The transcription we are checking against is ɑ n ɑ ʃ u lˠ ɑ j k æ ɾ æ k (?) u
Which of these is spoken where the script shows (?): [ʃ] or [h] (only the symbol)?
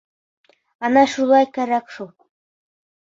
ʃ